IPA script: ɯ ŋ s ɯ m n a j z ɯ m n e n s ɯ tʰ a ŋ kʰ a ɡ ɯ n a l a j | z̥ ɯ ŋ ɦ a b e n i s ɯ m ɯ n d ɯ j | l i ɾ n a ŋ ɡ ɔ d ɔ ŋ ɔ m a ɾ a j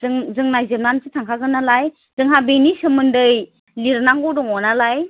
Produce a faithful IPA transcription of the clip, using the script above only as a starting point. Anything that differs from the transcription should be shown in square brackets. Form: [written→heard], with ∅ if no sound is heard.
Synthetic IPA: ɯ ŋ [s→z] ɯ [m→ŋ] n a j z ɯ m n [e→a] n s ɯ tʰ a ŋ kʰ a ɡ ɯ n a l a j | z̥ ɯ ŋ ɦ a b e n i s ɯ m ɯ n d ɯ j | l i ɾ n a ŋ ɡ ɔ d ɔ ŋ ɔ [m→n] a [ɾ→l] a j